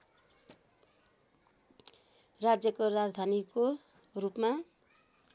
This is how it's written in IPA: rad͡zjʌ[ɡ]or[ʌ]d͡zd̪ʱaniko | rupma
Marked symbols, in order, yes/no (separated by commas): no, no